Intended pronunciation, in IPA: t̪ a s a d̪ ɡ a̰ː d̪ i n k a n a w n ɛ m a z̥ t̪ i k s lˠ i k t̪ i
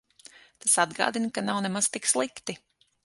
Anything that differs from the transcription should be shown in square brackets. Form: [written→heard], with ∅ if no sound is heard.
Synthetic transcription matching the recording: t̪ a s a d̪ ɡ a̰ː d̪ i n k a n a w n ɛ m a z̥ t̪ i k s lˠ i k t̪ i